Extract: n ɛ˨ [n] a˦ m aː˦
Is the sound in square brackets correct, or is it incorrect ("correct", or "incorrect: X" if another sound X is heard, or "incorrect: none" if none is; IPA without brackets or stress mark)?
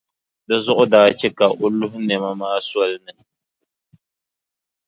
incorrect: m